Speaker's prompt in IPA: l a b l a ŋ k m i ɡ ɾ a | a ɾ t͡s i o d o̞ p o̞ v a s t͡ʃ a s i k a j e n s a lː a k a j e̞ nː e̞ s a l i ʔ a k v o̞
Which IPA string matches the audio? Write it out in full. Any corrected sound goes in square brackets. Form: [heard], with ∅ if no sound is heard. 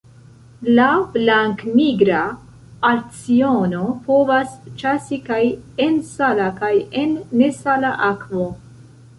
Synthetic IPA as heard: l a b l a ŋ k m i ɡ ɾ a | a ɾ t͡s i o [n] o̞ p o̞ v a s t͡ʃ a s i k a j e n s a [l] a k a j e̞ nː e̞ s a l [a] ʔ a k v o̞